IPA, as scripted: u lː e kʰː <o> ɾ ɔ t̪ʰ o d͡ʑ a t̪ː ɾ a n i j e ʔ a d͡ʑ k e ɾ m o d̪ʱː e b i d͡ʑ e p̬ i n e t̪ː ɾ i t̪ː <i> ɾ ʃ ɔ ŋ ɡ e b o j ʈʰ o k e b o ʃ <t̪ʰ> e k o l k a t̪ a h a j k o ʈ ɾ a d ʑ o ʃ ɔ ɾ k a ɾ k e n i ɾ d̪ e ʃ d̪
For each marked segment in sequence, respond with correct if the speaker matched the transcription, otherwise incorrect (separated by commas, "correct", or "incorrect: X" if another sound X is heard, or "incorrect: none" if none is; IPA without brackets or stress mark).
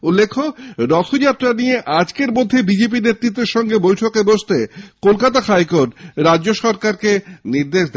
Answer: correct, incorrect: e, incorrect: t̪